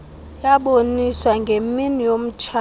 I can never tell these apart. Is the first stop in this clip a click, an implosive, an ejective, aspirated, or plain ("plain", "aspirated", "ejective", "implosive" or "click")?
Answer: implosive